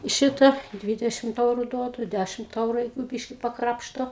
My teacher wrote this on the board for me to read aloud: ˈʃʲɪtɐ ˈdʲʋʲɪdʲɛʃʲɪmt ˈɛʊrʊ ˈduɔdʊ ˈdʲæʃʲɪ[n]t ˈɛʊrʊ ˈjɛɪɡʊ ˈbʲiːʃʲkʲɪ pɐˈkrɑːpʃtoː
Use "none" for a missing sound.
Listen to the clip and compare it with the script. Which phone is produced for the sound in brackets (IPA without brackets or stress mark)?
m